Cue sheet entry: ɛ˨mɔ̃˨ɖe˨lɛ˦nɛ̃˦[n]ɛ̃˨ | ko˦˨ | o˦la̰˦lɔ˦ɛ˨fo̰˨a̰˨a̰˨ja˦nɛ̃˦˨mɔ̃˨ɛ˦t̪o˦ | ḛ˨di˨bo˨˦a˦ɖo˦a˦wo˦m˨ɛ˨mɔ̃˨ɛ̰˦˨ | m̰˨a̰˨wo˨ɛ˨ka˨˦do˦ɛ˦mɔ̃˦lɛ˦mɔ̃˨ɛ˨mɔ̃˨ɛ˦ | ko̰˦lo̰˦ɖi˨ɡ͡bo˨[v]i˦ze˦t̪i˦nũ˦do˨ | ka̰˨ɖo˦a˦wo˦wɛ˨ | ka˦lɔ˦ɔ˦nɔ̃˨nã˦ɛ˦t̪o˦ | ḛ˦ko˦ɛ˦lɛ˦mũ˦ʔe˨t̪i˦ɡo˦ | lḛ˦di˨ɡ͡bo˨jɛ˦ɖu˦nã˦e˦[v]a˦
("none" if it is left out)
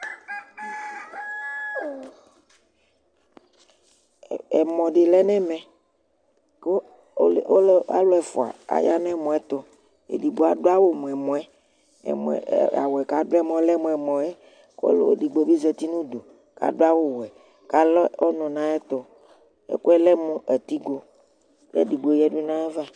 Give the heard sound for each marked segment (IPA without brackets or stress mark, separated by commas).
m, b, v